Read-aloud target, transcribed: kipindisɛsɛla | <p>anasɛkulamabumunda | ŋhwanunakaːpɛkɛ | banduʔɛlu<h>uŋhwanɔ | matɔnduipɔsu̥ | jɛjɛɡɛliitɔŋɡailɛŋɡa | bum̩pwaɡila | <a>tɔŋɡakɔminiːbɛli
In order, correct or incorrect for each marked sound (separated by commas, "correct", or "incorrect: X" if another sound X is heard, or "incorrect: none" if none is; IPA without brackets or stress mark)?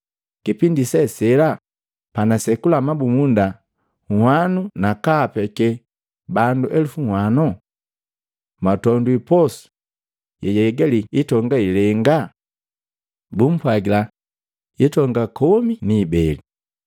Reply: correct, incorrect: f, incorrect: i